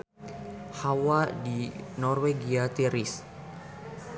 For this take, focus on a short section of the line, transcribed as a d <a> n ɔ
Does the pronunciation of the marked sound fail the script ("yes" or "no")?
yes